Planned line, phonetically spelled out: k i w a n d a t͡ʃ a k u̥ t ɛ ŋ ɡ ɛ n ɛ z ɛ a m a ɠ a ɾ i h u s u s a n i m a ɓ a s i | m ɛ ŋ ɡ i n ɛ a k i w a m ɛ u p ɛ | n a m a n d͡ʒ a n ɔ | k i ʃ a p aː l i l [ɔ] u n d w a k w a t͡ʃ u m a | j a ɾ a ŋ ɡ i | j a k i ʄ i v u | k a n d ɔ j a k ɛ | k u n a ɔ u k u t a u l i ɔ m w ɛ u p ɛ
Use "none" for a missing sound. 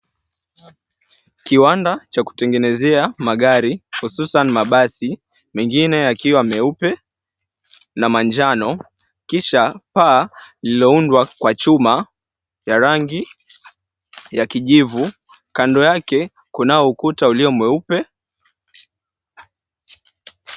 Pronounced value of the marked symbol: ɔ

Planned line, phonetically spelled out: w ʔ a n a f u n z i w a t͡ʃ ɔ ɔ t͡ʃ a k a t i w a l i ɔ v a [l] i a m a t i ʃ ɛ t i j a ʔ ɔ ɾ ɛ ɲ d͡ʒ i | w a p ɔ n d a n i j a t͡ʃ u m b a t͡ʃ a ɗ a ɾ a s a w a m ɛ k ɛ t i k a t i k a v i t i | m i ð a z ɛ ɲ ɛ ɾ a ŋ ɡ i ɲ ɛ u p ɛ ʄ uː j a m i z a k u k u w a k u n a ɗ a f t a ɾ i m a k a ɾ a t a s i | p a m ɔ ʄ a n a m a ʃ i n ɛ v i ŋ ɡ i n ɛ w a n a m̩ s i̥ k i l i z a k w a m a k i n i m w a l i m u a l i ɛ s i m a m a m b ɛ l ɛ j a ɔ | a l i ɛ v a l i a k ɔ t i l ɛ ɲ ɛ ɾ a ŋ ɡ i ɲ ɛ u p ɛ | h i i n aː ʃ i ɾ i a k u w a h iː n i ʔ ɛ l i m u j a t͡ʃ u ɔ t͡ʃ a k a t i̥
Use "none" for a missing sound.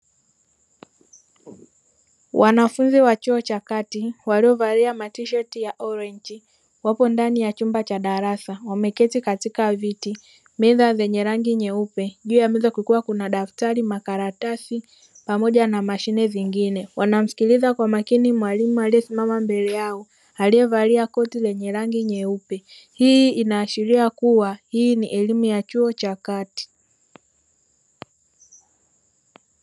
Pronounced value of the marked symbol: ɾ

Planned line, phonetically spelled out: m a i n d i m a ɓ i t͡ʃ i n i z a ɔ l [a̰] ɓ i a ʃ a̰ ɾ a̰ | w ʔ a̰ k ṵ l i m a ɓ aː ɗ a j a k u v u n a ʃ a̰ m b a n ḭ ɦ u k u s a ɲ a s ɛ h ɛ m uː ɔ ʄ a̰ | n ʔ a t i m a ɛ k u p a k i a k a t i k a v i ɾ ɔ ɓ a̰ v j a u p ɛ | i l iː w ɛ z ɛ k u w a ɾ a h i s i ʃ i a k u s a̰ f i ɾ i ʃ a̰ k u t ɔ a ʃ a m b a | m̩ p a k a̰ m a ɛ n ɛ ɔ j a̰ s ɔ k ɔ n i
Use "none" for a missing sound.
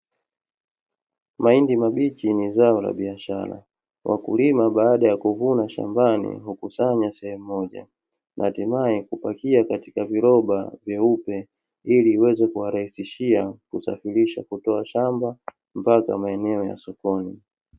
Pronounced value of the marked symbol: a̰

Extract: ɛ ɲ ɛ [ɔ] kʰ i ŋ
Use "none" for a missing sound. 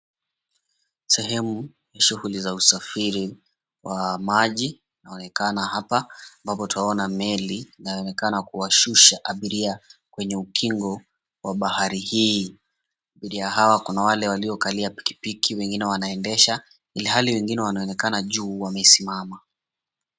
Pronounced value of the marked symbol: u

